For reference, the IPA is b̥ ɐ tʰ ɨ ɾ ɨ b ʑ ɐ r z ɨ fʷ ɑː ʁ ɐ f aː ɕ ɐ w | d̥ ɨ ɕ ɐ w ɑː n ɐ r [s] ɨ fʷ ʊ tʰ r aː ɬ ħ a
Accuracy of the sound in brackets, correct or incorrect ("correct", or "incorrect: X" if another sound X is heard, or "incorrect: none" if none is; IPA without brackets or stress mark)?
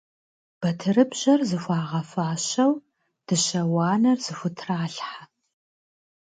incorrect: z